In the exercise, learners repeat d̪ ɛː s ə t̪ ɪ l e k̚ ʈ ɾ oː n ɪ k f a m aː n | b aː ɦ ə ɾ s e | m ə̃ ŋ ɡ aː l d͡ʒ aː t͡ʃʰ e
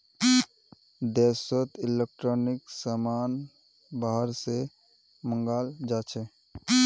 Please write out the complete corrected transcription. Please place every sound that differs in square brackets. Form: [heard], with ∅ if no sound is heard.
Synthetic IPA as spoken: d̪ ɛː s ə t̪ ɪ l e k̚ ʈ ɾ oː n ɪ k [s] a m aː n | b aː ɦ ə ɾ s e | m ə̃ ŋ ɡ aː l d͡ʒ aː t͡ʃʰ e